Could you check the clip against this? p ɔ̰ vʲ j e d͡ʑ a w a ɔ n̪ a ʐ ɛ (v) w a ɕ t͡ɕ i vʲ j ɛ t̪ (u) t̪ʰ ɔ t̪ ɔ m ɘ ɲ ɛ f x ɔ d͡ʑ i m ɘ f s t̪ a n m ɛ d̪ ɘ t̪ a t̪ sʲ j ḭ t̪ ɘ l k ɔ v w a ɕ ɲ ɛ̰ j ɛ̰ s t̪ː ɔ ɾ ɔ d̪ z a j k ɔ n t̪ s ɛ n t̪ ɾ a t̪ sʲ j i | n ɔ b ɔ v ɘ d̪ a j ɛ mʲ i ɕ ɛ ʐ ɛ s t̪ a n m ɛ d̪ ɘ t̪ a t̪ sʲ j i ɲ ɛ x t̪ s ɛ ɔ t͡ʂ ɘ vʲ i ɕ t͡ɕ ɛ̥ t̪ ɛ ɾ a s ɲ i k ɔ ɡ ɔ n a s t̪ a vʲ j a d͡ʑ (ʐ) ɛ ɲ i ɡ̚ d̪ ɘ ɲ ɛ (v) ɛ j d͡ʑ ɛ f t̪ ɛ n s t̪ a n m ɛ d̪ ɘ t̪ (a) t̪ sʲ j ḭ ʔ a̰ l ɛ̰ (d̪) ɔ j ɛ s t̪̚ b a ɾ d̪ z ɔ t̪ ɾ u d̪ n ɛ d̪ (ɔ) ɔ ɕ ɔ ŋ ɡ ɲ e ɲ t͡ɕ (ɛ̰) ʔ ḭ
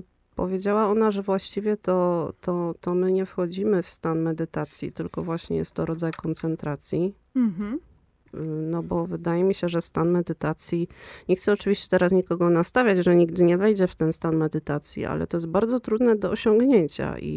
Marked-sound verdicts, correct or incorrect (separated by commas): correct, incorrect, correct, correct, correct, incorrect, correct, incorrect